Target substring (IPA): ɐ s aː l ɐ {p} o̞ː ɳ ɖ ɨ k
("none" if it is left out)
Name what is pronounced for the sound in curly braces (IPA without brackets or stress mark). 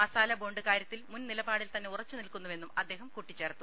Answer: b